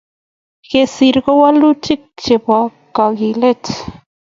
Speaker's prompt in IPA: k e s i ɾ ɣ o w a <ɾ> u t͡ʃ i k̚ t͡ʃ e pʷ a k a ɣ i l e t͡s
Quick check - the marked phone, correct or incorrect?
incorrect